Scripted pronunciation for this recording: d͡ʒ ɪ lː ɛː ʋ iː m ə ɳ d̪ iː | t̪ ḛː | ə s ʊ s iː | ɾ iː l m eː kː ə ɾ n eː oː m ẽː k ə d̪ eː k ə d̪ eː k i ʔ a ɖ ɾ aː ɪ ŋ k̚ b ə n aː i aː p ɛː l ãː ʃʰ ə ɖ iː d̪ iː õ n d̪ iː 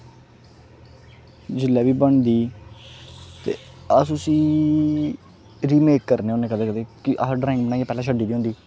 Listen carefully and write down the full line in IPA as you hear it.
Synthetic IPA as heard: d͡ʒ ɪ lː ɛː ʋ iː b ə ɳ d̪ iː | t̪ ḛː | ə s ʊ s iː | ɾ iː m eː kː ə ɾ n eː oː n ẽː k ə d̪ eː k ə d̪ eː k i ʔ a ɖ ɾ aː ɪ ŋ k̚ b ə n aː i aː p ɛː l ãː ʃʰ ə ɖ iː d̪ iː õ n d̪ iː